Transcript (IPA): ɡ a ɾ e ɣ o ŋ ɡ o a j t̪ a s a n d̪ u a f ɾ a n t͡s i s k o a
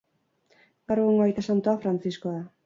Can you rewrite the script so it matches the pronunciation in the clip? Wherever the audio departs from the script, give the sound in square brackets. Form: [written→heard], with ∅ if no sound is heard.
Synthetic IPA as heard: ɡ a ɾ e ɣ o ŋ ɡ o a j t̪ a s a n [d̪→t̪] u a f ɾ a n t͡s i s k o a